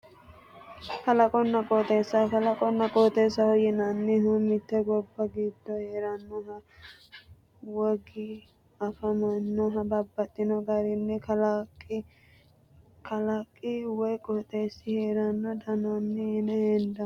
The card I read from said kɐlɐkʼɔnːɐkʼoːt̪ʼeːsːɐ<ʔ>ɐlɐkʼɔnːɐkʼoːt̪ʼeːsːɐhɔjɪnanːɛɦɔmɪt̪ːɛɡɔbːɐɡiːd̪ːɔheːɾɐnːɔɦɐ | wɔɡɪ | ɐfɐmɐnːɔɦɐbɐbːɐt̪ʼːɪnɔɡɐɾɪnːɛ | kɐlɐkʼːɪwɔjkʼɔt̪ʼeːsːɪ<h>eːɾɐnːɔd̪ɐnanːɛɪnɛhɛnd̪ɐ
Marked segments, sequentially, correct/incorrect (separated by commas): incorrect, correct